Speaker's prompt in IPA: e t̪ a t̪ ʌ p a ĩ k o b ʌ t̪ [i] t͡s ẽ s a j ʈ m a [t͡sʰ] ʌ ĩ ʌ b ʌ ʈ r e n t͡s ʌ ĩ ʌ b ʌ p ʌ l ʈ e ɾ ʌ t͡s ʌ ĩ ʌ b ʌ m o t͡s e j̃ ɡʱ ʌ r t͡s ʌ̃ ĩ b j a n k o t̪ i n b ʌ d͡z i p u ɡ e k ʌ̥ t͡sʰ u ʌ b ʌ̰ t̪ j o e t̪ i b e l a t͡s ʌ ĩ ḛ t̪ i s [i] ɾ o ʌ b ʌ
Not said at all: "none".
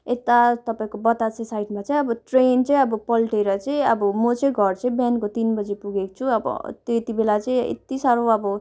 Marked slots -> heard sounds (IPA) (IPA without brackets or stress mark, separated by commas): a, t͡s, a